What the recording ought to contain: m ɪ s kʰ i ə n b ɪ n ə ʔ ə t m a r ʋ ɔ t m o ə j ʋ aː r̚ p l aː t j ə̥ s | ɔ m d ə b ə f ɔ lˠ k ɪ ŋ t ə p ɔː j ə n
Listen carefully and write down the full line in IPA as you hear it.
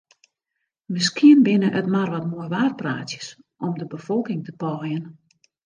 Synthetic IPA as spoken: m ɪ s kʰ i ə n b ɪ n ə ʔ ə t m a r ʋ ɔ t m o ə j ʋ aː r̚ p r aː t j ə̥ s | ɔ m d ə b ə f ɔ lˠ k ɪ ŋ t ə p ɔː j ə n